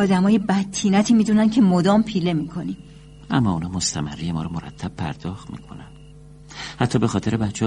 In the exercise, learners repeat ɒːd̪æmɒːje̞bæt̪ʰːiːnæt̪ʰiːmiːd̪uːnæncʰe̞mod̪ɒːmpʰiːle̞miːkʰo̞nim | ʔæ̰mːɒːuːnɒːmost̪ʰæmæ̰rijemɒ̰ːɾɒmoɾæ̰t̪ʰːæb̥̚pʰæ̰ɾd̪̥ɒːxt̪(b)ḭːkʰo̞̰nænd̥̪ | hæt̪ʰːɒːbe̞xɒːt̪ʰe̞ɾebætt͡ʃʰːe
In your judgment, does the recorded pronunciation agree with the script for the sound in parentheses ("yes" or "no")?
no